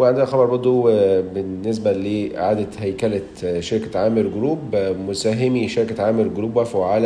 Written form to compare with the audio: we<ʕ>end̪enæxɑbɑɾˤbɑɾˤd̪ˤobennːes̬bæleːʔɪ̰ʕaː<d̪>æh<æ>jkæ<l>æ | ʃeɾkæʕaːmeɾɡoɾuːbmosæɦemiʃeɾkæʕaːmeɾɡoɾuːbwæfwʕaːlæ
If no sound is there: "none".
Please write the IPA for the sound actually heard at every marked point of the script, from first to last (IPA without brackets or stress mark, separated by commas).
ʕ, d̪, æ, l